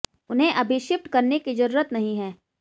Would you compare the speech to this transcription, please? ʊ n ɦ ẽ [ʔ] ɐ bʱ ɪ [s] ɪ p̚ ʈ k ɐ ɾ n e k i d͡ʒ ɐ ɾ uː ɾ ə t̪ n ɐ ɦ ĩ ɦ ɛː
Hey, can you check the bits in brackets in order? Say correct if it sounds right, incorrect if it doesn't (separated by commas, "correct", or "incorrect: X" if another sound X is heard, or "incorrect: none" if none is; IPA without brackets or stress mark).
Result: correct, incorrect: ʃ